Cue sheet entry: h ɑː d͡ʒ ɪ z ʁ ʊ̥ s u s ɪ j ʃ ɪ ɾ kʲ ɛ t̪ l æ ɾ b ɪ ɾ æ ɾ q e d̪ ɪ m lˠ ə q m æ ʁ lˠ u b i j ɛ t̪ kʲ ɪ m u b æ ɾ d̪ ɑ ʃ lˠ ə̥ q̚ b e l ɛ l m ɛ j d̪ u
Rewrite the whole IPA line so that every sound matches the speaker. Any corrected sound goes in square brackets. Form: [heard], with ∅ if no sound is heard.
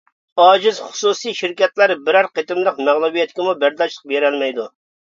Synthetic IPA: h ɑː d͡ʒ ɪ z [χ] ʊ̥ s u s [i] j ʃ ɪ ɾ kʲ ɛ t̪ l æ ɾ b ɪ ɾ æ ɾ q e [t̪] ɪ m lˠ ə q m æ ʁ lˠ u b i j ɛ t̪ kʲ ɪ m u b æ ɾ d̪ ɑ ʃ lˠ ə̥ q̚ b e [ɾ] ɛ l m ɛ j d̪ u